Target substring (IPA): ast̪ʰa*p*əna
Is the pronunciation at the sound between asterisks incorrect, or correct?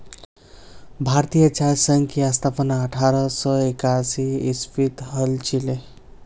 correct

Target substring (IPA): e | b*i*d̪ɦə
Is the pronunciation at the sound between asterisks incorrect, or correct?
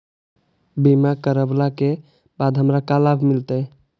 incorrect: a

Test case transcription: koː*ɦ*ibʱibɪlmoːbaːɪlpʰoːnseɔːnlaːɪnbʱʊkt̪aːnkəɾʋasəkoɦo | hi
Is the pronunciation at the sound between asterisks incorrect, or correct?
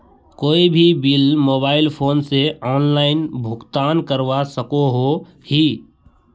incorrect: none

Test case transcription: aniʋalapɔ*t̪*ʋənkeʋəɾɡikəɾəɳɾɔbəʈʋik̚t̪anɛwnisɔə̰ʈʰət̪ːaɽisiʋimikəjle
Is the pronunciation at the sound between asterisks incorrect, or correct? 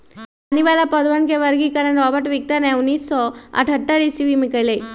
incorrect: d̪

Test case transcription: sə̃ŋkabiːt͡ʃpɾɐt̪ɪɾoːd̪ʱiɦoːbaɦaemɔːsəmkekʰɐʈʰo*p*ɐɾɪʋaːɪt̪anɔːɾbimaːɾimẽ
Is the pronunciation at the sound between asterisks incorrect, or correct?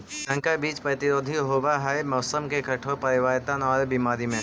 correct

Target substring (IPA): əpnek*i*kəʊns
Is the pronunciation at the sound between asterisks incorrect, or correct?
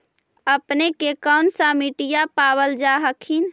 incorrect: e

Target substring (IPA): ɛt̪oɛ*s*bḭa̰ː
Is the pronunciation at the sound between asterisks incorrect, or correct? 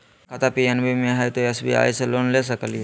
correct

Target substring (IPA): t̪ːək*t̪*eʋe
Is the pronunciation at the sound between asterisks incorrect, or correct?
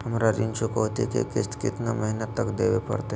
incorrect: d̪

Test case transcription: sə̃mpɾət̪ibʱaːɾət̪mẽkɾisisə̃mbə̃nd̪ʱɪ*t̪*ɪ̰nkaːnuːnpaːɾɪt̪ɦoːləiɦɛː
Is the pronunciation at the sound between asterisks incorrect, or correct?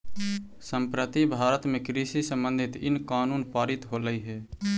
correct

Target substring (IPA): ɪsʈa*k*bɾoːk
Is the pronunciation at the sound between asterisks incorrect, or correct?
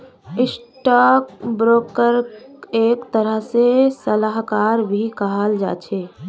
correct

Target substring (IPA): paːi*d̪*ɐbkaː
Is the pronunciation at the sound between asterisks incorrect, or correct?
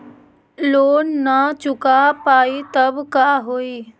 incorrect: t̪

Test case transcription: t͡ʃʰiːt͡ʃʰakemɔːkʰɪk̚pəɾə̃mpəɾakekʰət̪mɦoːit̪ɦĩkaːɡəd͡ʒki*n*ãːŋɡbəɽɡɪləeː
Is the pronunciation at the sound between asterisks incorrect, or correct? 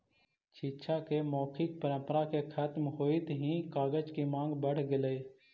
incorrect: m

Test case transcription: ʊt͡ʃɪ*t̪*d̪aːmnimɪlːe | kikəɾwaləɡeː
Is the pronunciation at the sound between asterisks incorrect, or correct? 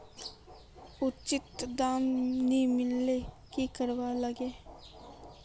correct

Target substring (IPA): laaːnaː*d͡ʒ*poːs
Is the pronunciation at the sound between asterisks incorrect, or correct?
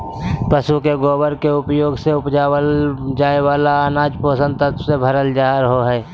correct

